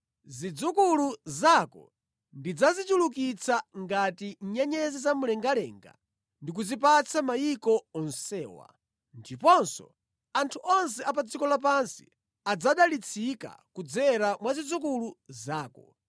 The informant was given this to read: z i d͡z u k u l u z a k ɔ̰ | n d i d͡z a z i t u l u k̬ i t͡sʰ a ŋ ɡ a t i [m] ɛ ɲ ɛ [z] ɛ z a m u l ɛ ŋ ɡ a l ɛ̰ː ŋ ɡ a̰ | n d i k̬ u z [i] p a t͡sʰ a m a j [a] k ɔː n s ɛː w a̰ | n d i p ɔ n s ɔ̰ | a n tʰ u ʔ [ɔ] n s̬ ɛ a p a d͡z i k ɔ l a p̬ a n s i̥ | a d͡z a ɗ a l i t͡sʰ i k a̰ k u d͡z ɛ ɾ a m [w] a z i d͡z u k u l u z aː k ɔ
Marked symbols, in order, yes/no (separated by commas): no, yes, yes, no, yes, yes